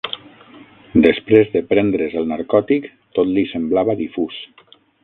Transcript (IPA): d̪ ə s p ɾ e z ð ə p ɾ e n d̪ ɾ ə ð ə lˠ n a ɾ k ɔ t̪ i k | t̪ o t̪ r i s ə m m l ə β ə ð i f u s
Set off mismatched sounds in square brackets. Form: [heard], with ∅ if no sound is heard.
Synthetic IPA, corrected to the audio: d̪ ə s p ɾ e z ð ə p ɾ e n d̪ ɾ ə [z] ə lˠ n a ɾ k ɔ t̪ i k | t̪ o t̪ [l] i s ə m [b] l [a] β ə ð i f u s